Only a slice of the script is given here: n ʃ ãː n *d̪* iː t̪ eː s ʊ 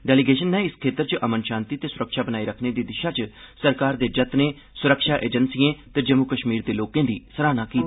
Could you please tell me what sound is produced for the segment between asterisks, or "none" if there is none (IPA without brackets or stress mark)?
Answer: t̪